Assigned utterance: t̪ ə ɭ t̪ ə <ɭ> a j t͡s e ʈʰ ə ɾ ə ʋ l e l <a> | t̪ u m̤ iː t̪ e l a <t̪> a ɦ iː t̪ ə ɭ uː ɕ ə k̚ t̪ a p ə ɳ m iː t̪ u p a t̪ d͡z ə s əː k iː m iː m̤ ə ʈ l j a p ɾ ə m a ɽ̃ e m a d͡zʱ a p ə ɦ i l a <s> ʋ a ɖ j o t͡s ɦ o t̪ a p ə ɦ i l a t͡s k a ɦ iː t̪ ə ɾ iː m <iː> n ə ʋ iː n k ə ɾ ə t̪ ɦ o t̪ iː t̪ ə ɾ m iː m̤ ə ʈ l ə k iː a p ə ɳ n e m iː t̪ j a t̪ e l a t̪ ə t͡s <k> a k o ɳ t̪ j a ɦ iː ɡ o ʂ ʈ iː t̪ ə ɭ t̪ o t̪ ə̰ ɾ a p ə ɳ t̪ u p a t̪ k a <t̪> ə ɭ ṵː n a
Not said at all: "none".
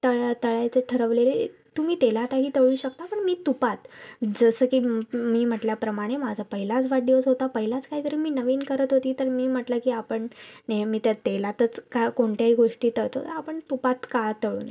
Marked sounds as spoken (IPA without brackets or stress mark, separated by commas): ɭ, e, t̪, t͡s, iː, k, t̪